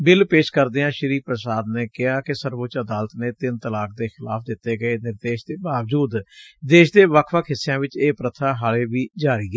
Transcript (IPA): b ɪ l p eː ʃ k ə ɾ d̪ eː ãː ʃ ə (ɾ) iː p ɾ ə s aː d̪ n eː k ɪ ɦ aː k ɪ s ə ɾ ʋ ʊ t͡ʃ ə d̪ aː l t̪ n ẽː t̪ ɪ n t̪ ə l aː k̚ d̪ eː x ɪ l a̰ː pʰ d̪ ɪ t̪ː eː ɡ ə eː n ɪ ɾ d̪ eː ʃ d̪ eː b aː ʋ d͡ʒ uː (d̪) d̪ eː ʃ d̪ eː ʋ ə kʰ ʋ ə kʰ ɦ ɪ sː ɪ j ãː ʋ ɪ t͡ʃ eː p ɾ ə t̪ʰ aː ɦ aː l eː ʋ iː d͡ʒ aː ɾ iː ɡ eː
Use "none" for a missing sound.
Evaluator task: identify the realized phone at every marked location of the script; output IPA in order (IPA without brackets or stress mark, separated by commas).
ɾ, d̪